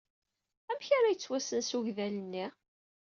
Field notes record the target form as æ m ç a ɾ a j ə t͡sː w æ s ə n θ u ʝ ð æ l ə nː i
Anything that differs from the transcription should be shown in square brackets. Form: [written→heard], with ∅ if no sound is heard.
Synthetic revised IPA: æ m ç a ɾ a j ə t͡sː w æ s ə n [θ→s] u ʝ ð æ l ə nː i